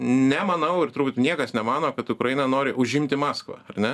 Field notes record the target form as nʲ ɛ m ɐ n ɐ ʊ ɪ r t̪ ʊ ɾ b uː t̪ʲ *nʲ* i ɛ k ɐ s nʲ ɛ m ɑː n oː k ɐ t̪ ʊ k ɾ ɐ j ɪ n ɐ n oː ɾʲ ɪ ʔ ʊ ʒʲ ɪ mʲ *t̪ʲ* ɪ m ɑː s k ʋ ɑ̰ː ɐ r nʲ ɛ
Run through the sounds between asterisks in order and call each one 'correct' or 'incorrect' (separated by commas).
correct, correct